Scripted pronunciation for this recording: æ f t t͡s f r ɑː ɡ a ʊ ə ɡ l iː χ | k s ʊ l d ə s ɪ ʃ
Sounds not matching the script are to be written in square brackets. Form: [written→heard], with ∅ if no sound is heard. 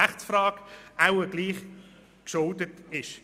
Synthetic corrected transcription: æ [f→χ] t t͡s f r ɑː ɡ a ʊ ə ɡ l iː χ | k [s→ʃ] ʊ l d ə [s→t] ɪ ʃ